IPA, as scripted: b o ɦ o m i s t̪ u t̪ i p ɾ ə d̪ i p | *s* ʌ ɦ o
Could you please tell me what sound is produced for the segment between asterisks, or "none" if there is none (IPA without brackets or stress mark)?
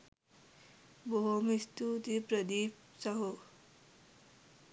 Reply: s